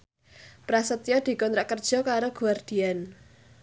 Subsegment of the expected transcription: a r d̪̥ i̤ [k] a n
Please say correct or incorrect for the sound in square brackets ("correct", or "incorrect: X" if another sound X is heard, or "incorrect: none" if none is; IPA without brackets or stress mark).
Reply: incorrect: none